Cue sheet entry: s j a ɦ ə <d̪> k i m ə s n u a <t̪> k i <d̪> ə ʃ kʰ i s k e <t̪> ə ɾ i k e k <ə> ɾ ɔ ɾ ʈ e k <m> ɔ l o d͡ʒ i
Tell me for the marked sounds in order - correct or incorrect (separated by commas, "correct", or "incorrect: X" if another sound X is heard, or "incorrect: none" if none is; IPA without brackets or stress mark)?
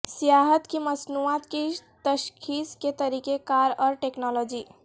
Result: incorrect: t̪, correct, incorrect: t̪, correct, incorrect: a, incorrect: n